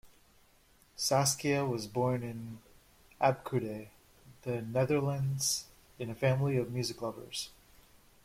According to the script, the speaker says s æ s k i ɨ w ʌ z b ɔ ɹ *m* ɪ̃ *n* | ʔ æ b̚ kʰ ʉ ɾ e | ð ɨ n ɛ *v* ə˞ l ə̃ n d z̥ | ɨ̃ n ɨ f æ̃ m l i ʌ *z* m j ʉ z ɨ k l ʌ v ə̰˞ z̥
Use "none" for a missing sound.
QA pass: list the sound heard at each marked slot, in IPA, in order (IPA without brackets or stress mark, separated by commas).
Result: n, n, ð, v